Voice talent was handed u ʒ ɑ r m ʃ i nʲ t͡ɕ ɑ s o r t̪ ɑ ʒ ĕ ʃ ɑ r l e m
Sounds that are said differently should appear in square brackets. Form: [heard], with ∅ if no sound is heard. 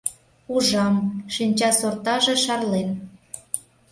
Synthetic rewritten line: u ʒ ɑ [∅] m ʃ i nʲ t͡ɕ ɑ s o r t̪ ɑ ʒ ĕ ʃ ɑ r l e [n]